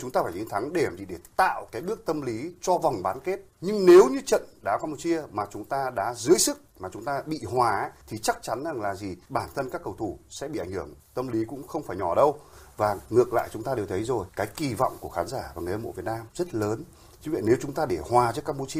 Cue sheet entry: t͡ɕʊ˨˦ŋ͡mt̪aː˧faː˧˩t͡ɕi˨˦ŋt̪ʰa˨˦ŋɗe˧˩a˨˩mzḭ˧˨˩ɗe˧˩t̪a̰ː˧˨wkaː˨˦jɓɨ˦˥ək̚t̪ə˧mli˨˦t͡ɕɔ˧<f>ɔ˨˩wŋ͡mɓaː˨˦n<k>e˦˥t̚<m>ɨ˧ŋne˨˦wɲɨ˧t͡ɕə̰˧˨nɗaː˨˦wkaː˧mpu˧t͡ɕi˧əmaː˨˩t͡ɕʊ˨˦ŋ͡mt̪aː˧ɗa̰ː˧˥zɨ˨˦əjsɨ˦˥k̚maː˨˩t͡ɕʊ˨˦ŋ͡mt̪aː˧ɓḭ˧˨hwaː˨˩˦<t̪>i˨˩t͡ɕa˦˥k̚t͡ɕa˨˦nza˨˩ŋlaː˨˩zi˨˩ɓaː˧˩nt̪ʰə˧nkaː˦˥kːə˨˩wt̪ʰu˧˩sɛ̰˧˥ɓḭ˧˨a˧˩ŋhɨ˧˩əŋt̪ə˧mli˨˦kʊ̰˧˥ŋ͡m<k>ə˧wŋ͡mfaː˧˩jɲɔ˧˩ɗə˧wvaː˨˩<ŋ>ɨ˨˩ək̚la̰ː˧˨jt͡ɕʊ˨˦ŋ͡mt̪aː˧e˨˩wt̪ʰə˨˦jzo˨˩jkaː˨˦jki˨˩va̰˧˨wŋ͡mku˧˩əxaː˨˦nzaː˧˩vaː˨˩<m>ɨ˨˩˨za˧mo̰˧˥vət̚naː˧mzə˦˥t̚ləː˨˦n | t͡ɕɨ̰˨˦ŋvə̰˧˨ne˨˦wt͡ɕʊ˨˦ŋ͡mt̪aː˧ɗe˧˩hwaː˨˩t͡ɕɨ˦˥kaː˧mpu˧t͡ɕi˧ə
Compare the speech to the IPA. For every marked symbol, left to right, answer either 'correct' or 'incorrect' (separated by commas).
incorrect, correct, incorrect, incorrect, incorrect, correct, incorrect